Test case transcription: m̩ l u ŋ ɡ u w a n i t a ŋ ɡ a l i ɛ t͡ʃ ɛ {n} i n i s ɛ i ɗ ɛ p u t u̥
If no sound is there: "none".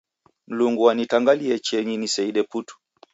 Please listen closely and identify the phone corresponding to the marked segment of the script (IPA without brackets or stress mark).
ɲ